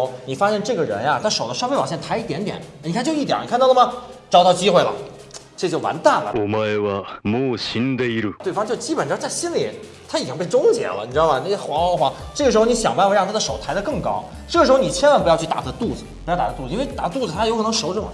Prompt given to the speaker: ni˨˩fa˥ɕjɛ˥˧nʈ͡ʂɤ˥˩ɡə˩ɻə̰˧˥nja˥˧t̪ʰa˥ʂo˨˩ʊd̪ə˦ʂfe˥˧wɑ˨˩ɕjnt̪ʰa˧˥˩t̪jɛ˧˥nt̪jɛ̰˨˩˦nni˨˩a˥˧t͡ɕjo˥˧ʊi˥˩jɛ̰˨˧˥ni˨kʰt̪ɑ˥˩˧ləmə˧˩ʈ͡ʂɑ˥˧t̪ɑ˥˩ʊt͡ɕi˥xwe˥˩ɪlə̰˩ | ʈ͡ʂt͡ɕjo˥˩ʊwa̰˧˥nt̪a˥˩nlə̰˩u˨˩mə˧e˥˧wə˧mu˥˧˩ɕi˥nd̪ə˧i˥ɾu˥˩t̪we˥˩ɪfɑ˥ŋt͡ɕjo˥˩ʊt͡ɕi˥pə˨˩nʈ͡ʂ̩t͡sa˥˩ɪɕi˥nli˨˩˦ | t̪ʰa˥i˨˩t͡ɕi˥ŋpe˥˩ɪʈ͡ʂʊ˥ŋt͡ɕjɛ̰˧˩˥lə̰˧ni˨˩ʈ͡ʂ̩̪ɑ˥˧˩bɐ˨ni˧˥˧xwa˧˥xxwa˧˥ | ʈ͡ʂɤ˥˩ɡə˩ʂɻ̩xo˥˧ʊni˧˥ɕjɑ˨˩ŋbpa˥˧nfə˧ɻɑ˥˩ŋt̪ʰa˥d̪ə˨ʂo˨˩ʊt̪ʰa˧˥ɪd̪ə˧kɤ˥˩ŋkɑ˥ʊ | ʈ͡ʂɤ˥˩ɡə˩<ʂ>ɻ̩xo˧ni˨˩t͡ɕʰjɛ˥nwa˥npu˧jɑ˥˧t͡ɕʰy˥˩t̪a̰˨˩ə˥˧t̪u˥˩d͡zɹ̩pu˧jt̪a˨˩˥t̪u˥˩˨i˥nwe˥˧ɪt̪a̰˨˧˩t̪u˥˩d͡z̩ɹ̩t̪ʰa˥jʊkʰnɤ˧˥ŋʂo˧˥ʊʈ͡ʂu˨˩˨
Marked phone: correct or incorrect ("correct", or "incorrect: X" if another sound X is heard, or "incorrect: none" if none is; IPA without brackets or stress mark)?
correct